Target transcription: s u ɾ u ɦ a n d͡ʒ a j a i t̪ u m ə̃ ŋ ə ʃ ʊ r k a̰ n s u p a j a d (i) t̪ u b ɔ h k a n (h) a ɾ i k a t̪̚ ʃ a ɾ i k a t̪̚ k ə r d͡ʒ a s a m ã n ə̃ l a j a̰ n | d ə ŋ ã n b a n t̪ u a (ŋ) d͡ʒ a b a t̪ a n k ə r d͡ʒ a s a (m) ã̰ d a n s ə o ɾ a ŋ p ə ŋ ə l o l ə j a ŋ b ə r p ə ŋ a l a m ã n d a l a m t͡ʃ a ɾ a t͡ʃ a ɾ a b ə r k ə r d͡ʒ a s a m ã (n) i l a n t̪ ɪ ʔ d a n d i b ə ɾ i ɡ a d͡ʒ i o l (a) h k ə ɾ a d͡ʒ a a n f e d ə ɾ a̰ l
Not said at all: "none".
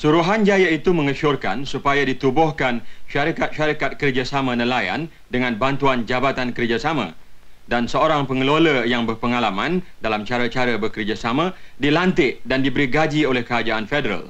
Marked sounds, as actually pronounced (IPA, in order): i, ʃ, n, m, d, ɛ

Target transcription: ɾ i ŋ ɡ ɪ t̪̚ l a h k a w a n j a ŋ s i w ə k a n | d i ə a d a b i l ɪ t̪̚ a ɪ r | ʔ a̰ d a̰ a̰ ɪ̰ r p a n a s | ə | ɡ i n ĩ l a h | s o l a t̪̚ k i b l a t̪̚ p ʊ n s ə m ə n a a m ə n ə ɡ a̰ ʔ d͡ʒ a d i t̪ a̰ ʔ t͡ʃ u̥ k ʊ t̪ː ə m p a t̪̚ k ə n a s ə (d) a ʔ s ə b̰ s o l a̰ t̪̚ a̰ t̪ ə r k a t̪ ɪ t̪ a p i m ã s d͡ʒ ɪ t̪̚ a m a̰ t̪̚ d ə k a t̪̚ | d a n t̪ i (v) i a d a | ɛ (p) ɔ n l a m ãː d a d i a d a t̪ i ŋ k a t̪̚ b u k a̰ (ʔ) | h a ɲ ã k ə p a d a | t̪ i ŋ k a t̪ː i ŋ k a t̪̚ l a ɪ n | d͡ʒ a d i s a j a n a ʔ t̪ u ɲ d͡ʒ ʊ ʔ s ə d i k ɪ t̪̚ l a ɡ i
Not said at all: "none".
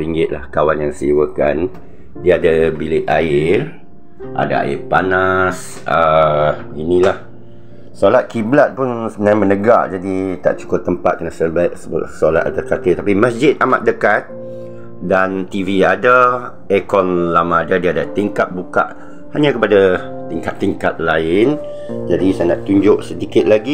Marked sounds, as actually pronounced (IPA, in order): b, v, k, ʔ

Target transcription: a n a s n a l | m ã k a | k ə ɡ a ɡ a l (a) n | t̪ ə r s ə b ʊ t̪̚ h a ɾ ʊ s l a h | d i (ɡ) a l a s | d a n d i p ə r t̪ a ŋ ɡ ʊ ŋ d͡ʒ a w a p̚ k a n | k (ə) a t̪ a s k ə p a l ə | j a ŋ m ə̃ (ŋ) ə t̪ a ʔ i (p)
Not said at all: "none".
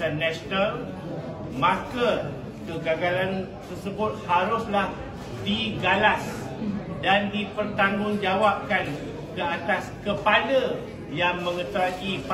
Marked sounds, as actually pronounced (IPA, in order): a, ɡ, ə, ŋ, p

